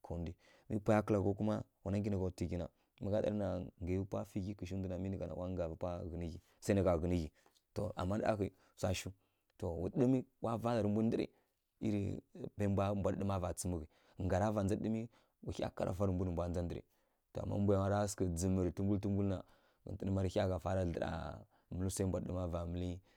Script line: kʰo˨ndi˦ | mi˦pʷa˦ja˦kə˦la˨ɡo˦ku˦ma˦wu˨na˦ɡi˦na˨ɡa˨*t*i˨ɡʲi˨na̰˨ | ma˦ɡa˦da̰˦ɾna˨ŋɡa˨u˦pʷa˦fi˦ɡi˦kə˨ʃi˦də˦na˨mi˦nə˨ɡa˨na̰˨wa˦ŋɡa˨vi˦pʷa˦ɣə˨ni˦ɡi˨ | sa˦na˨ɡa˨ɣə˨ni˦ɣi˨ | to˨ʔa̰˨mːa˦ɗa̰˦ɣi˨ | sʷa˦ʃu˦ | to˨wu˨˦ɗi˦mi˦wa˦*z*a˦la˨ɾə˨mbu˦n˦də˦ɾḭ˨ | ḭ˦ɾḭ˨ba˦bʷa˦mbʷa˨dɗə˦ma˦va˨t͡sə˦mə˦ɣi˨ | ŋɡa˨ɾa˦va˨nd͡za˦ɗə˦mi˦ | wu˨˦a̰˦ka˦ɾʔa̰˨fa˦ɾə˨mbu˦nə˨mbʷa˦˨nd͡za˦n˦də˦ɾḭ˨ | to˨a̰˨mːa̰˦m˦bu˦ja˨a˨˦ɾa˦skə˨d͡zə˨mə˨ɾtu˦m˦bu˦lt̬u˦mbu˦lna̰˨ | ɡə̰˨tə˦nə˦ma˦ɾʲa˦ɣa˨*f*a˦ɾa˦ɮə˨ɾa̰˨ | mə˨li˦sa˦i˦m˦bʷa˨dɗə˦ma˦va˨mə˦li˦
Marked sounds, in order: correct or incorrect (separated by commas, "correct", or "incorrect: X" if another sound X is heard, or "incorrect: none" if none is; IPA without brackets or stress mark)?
correct, incorrect: v, correct